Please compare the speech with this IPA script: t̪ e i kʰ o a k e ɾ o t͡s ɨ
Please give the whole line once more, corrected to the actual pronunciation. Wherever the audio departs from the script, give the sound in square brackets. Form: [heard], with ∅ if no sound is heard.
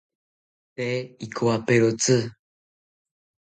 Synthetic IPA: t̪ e i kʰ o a [p] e ɾ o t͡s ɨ